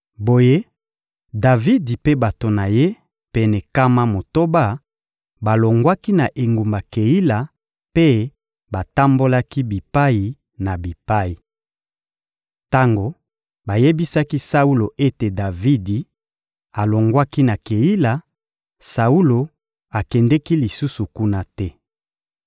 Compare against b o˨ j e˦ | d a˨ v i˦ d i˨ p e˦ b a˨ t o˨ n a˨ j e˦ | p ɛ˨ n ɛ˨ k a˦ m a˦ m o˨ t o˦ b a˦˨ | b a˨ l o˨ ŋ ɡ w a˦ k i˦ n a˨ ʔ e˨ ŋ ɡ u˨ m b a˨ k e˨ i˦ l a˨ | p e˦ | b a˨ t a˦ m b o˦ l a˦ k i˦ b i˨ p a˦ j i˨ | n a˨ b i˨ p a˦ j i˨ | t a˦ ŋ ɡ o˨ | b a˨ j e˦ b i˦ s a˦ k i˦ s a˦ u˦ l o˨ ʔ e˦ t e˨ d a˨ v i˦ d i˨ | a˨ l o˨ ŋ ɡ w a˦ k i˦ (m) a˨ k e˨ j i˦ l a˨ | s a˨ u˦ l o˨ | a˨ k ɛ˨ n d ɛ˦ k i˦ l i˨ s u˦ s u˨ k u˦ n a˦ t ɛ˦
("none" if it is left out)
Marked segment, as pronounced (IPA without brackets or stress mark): n